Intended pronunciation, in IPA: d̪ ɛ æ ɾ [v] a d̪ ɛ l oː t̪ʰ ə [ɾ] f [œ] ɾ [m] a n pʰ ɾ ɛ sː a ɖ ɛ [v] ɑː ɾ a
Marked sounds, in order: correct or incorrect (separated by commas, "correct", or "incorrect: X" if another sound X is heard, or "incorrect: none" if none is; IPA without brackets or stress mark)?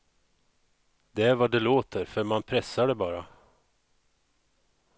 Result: correct, correct, correct, correct, incorrect: b